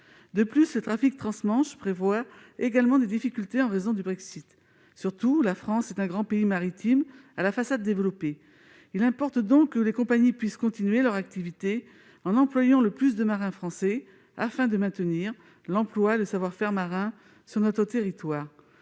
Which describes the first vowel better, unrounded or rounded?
unrounded